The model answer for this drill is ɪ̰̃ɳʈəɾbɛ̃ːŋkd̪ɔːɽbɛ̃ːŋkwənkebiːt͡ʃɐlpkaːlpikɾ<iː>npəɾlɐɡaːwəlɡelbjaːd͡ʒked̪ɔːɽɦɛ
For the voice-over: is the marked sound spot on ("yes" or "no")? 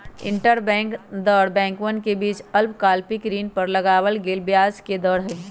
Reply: yes